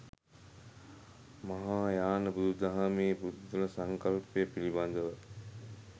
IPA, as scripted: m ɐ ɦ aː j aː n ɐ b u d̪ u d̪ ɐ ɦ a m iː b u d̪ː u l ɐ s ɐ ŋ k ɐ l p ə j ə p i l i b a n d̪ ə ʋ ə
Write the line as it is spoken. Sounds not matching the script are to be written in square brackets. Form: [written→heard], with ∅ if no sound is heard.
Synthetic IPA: m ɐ ɦ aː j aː n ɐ b u d̪ u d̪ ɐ ɦ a m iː b u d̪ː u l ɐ s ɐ ŋ k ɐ l p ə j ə p i l i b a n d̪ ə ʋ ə